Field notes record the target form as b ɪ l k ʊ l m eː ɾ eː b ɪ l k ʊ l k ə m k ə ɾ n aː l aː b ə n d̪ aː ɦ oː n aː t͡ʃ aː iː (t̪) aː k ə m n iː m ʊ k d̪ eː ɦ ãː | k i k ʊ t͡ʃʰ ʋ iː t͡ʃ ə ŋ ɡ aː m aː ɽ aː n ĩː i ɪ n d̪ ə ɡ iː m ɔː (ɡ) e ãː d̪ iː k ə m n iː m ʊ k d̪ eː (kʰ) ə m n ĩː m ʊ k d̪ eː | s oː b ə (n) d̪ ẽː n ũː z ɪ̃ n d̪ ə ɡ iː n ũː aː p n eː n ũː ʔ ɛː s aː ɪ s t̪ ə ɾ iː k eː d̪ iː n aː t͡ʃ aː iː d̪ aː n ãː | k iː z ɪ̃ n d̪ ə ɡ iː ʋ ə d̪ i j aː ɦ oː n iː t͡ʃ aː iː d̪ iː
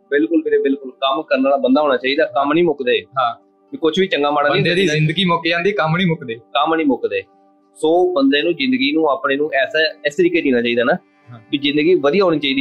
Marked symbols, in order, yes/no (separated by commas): no, no, no, yes